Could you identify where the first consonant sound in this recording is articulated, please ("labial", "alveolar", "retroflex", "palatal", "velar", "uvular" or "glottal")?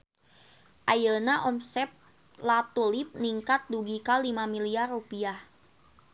glottal